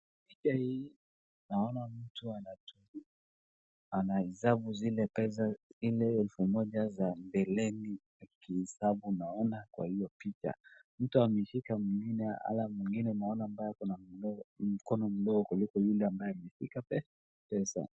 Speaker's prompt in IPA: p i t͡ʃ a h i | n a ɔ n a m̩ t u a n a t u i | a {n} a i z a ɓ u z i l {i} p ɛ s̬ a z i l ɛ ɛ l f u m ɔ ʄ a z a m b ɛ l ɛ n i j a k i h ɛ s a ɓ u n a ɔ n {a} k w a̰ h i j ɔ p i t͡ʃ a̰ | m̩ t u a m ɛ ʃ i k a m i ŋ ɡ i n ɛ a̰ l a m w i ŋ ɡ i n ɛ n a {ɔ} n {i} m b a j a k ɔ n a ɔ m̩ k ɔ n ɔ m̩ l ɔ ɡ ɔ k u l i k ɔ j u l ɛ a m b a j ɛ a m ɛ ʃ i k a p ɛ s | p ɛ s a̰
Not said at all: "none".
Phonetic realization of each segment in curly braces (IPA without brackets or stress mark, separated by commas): n, ɛ, a, ɔ, a